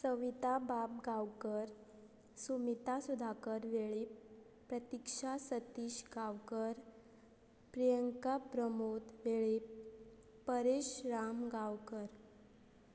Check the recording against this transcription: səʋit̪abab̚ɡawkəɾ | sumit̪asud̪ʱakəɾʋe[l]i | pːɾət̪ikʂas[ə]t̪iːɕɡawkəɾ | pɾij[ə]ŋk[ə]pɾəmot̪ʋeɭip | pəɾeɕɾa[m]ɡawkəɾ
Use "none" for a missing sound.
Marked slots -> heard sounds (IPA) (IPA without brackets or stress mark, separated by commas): ɭ, ə, ə, a, m